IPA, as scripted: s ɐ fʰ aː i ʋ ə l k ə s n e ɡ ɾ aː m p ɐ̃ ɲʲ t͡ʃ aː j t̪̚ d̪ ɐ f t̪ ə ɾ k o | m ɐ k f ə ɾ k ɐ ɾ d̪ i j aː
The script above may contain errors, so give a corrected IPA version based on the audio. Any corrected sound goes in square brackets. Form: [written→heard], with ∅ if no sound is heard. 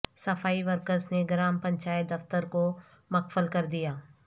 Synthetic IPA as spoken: s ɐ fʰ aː i ʋ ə [l→ɾ] k ə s n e ɡ ɾ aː m p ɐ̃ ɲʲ t͡ʃ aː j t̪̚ d̪ ɐ f t̪ ə ɾ k o | m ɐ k f ə [ɾ→l] k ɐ ɾ d̪ i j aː